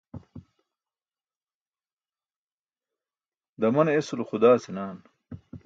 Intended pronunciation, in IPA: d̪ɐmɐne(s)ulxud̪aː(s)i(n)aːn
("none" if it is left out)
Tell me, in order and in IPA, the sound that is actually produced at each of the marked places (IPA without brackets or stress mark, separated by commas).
s, s, n